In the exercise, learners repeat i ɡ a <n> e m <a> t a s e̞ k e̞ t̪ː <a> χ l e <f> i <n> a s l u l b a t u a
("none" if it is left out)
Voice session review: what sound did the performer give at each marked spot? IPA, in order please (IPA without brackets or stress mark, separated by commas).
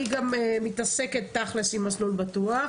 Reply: m, i, a, s, m